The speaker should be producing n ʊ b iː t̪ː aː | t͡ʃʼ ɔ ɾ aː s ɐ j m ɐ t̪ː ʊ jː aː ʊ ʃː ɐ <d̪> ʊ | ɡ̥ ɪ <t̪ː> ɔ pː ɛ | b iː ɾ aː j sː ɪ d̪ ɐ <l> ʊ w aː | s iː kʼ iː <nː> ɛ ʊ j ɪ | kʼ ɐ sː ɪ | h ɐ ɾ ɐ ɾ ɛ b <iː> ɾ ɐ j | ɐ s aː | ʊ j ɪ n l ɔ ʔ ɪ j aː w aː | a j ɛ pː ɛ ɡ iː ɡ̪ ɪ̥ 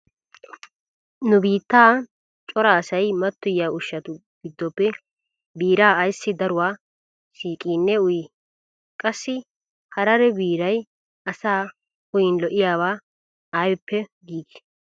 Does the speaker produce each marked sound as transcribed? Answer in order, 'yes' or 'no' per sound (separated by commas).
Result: no, no, no, yes, yes